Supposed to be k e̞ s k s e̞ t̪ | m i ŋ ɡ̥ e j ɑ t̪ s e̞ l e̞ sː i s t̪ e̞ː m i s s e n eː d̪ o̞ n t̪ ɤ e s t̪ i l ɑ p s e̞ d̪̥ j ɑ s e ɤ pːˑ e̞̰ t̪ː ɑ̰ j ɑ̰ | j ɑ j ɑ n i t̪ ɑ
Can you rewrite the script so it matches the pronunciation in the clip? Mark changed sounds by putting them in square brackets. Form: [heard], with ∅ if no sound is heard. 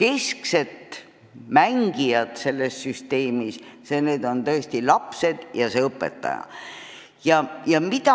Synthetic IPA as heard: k e̞ s k s e̞ t̪ | m [æ] ŋ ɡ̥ [i] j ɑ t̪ s e̞ [lː] e̞ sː [y] s t̪ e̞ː m i s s e n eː d̪ o̞ n t̪ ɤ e s t̪ i l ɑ p s e̞ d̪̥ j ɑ s e ɤ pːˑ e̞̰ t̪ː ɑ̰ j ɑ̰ | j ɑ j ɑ [m] i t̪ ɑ